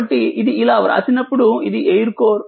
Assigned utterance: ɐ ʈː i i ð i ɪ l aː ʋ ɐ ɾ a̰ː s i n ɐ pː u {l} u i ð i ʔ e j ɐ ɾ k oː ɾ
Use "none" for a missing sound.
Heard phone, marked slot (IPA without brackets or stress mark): ɽ